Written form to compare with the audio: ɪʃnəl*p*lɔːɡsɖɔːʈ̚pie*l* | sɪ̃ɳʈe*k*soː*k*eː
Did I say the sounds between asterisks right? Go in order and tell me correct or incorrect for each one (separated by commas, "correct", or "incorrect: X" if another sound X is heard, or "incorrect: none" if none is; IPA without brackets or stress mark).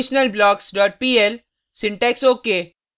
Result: incorrect: b, correct, correct, correct